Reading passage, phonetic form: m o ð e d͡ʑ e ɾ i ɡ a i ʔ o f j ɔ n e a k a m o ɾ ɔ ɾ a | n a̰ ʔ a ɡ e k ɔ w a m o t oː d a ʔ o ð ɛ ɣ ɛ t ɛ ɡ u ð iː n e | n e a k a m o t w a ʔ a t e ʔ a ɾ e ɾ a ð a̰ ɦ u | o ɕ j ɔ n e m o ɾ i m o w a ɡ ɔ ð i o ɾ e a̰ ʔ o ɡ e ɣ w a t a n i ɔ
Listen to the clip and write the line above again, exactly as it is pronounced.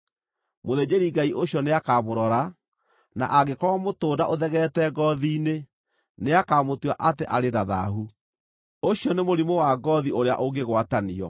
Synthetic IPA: m o ð e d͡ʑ e ɾ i ɡ a i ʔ o ɕ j ɔ n e a k a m o ɾ ɔ ɾ a | n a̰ ʔ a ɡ e k ɔ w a m o t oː d a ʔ o ð ɛ ɣ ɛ t ɛ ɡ ɔ ð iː n e | n e a k a m o t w a ʔ a t e ʔ a ɾ e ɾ a ð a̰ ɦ u | o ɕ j ɔ n e m o ɾ i m o w a ɡ ɔ ð i o ɾ e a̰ ʔ o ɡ e ɣ w a t a n i ɔ